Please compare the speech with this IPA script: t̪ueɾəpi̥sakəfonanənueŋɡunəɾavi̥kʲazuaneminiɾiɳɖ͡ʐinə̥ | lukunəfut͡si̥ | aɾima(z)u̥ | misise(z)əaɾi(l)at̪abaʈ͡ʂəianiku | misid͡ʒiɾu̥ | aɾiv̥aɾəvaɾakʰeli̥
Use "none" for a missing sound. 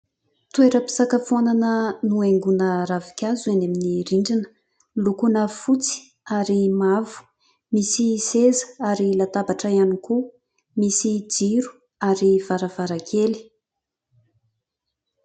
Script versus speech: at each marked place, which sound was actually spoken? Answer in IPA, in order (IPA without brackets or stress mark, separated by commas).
v, z, l